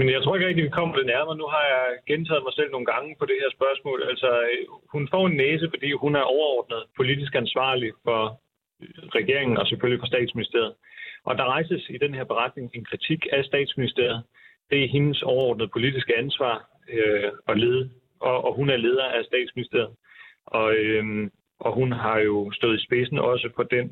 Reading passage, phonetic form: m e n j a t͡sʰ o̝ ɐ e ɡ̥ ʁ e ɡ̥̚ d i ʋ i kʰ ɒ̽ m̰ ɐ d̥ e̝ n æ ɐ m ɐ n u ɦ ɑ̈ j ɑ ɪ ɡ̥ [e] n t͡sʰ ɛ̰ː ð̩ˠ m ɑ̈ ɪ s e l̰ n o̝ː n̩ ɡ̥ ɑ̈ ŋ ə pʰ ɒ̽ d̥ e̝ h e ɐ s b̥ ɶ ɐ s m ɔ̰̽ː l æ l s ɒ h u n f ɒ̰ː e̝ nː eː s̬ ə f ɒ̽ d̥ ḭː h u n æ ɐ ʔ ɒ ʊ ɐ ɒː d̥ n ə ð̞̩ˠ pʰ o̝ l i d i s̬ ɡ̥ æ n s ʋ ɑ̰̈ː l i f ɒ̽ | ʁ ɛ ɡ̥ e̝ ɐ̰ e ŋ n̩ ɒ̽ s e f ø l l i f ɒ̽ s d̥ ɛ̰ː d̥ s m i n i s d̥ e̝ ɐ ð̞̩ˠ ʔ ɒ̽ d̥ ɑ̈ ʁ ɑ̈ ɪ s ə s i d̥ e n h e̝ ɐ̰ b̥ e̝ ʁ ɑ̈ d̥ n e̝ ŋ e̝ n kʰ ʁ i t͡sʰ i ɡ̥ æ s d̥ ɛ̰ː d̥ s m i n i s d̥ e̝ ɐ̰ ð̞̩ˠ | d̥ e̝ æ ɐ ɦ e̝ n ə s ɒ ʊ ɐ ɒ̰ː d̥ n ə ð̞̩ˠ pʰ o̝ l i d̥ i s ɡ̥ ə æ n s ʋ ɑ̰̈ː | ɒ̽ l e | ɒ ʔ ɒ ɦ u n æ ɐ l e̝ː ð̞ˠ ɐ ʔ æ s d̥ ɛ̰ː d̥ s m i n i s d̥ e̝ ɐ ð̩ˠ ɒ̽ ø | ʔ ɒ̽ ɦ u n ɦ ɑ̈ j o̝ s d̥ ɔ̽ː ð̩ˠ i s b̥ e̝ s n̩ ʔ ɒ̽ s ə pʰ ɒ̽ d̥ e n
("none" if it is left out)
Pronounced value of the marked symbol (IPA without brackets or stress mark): e